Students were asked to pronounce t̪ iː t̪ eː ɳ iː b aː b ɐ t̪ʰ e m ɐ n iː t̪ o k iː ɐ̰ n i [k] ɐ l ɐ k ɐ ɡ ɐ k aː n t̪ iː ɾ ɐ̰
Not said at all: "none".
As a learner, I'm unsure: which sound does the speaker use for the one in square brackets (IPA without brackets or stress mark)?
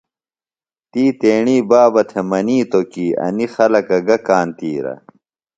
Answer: x